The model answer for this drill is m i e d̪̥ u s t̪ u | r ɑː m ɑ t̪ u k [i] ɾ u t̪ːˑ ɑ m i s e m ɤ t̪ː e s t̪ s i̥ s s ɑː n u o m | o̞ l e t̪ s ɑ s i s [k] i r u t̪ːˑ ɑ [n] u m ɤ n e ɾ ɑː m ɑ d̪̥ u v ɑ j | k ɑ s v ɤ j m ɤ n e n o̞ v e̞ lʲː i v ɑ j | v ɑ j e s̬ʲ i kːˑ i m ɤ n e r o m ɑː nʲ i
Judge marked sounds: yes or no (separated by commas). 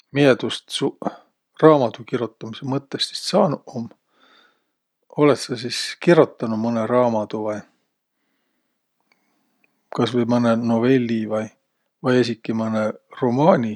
yes, yes, yes